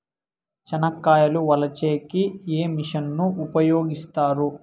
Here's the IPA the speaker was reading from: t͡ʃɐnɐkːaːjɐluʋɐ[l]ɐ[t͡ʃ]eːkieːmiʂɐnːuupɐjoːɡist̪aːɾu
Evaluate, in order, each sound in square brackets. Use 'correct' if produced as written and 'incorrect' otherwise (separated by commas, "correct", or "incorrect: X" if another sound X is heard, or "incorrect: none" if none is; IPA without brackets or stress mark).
correct, correct